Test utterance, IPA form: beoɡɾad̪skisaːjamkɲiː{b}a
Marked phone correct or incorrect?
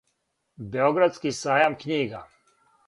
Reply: incorrect